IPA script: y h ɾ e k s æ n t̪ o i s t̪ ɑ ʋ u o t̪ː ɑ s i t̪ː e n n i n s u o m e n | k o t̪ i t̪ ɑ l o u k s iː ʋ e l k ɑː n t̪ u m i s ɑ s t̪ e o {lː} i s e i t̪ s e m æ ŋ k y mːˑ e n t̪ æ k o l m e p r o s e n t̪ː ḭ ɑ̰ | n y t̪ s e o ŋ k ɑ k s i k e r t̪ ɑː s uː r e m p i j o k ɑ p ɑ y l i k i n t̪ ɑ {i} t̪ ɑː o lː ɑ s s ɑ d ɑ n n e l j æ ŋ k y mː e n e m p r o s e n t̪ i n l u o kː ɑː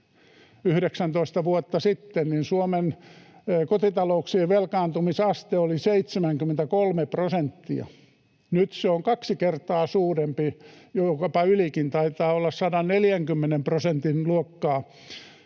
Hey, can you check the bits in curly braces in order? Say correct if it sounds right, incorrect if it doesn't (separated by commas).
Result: incorrect, correct